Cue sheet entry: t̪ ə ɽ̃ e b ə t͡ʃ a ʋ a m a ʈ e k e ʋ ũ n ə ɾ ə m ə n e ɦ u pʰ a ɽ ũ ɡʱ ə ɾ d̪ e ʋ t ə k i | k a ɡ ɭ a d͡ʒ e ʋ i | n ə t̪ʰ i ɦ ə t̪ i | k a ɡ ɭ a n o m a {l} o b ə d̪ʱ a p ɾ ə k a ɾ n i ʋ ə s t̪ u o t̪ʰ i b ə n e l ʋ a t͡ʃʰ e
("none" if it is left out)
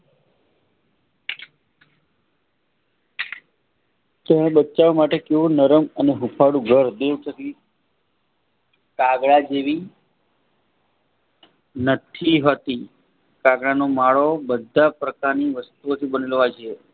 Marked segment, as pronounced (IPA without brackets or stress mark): ɭ